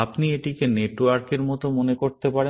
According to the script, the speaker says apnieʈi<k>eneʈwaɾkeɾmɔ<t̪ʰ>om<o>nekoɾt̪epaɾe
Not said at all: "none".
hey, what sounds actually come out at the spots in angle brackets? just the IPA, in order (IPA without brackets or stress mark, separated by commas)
k, t̪, o